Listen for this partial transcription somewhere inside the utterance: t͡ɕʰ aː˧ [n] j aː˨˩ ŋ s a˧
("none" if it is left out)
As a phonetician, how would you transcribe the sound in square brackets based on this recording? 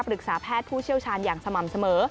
n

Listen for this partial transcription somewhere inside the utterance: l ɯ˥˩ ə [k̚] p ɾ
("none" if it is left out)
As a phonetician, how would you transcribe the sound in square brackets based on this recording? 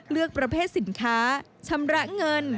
k̚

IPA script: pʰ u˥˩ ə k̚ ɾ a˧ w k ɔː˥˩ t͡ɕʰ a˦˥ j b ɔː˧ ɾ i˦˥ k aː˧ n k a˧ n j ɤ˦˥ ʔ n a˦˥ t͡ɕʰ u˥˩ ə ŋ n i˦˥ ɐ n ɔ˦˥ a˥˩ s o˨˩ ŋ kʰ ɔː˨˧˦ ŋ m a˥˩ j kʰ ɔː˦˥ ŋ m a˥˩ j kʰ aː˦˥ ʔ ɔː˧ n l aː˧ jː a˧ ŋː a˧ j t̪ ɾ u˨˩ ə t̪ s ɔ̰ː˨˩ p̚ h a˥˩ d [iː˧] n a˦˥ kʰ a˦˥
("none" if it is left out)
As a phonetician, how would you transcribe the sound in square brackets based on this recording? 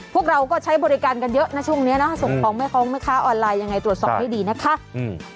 iː˧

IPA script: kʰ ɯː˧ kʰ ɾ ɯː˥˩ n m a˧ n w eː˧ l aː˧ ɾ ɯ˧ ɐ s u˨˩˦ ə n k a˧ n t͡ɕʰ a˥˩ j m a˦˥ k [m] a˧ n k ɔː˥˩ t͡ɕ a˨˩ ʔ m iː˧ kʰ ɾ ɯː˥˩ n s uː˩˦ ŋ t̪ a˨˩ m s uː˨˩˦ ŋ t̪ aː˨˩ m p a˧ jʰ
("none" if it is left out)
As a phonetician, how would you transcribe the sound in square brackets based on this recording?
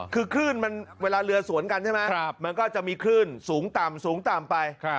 m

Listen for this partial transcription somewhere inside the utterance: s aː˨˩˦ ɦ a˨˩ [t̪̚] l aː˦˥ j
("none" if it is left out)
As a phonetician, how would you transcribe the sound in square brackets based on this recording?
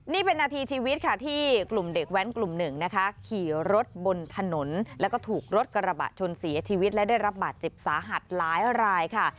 t̪̚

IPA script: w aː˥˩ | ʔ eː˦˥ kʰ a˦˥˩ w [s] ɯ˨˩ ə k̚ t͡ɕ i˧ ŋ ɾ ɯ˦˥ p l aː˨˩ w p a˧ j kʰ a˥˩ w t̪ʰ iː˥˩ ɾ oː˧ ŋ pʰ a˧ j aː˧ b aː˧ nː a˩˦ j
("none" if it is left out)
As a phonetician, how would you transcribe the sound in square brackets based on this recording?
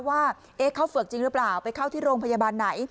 f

